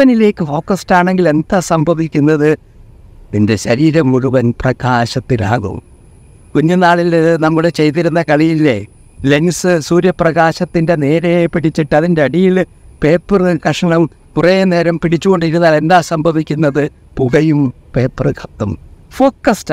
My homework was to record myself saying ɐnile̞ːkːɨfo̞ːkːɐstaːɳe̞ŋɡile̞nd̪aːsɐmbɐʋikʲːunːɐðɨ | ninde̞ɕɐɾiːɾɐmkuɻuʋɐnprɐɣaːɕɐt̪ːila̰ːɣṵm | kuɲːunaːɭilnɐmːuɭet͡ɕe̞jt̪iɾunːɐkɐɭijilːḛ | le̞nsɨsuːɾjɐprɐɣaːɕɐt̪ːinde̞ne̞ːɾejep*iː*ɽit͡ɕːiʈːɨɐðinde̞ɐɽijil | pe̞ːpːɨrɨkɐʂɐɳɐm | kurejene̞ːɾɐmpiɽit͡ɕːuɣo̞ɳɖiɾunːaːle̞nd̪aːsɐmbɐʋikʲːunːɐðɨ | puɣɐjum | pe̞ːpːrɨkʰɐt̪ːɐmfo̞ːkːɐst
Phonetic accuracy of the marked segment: incorrect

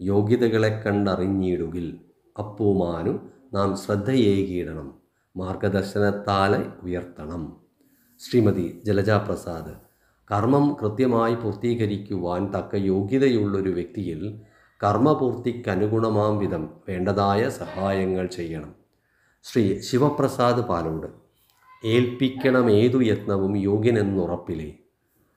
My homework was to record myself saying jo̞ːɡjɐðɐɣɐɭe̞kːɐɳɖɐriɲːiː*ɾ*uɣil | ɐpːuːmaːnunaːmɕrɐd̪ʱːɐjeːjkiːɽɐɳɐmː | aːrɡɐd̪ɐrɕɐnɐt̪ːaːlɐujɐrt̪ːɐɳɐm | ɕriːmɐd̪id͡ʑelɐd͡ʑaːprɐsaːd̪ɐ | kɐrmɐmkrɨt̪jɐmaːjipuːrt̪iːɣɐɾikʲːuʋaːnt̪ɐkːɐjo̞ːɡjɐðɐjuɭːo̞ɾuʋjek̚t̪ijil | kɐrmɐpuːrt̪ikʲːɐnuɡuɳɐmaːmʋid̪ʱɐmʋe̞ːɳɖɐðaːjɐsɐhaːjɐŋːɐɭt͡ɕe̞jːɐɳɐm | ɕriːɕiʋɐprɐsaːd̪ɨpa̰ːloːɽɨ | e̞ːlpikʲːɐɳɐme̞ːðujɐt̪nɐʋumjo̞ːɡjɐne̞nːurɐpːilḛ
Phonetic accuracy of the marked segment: incorrect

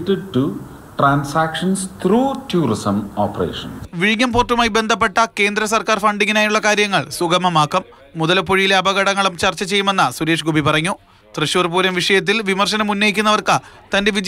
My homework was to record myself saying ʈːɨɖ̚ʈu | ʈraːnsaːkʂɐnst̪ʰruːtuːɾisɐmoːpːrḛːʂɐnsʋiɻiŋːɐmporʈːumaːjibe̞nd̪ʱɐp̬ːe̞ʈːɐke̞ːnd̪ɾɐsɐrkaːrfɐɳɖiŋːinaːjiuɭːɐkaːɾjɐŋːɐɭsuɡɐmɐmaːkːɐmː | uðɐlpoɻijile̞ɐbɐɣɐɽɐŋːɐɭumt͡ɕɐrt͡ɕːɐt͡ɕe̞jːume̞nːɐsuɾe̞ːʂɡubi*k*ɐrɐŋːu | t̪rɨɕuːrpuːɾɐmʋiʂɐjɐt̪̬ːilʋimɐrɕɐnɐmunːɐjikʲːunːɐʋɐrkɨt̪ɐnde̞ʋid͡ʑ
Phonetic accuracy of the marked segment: incorrect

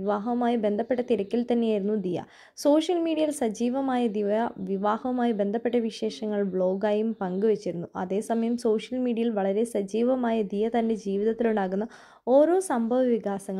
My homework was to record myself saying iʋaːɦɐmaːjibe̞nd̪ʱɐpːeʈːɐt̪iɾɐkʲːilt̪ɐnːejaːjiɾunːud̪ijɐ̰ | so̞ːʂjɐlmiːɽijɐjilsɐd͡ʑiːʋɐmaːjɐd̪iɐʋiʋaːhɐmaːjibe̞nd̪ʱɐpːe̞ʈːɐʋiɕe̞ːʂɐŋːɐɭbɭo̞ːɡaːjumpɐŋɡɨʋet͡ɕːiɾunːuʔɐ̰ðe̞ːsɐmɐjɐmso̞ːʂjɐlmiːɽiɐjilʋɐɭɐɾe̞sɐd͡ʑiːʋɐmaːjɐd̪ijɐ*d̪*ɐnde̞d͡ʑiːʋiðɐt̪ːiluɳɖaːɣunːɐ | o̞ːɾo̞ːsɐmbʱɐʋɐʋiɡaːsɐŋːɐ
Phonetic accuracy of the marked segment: incorrect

